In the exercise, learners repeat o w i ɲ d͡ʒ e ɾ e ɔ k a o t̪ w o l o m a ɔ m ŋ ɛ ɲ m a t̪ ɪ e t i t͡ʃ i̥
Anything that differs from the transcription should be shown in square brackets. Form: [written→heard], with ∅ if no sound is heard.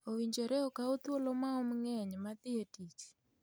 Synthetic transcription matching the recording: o w i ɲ d͡ʒ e ɾ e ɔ k a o t̪ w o l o m a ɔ m ŋ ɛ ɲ m a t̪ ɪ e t i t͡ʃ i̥

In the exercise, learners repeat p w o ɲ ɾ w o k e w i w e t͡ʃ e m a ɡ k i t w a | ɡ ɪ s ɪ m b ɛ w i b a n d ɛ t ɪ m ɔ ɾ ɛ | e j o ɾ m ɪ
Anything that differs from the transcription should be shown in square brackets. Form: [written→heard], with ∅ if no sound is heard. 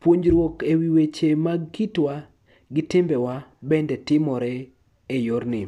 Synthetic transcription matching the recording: p w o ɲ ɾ w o k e w i w e t͡ʃ e m a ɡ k i t w a | ɡ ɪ [s→t] ɪ m b ɛ w [i→a] b [a→ɛ] n d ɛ t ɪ m ɔ ɾ ɛ | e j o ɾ [m→n] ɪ

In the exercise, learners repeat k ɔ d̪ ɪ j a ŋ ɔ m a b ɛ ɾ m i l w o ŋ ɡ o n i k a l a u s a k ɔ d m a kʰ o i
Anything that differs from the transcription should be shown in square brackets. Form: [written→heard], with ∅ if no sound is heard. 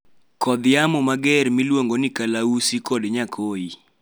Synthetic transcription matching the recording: k ɔ d̪ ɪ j a [ŋ→m] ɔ m a [b→ɡ] ɛ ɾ m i l w o ŋ ɡ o n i k a l a u s [a→i] k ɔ d [m→ɲ] a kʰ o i

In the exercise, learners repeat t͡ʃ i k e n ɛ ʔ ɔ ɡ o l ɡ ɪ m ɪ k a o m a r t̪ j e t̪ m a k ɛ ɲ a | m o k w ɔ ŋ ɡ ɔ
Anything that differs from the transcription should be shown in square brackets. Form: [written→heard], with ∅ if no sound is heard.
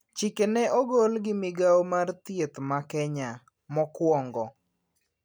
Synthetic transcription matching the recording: t͡ʃ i k e n ɛ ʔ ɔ ɡ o l ɡ ɪ m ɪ [k→ɡ] a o m a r t̪ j e t̪ m a k ɛ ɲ a | m [o→ɔ] k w ɔ ŋ ɡ ɔ

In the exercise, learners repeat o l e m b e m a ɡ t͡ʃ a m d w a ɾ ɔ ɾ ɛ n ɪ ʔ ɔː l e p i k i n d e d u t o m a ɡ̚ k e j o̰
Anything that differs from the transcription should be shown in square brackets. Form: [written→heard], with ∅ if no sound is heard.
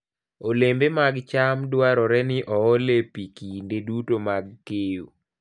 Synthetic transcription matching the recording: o l e m b e m a ɡ t͡ʃ a m d w a ɾ ɔ ɾ ɛ n ɪ ʔ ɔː l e p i k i n d e d u t o m a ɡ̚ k e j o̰

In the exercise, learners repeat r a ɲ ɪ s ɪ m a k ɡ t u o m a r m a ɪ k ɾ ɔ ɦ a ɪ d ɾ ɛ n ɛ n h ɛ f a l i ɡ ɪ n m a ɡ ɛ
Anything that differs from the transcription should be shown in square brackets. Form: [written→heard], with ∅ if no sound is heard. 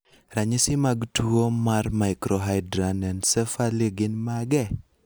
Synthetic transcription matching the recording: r a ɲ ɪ s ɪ m a [k→∅] ɡ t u o m a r m a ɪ k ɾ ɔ ɦ a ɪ d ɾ [ɛ→a] n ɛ n [h→s] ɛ f a l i ɡ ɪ n m a ɡ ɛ

